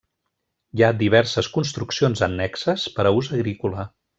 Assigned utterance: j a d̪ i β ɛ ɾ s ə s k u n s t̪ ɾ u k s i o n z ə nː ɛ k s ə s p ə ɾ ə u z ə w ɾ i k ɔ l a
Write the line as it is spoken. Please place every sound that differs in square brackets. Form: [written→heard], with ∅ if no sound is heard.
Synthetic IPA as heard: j a d̪ i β ɛ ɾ s ə s k u n s t̪ ɾ u k s i o n z ə nː ɛ k s ə s p ə ɾ ə u z ə [w→ɣ] ɾ i k [ɔ→u] l [a→ə]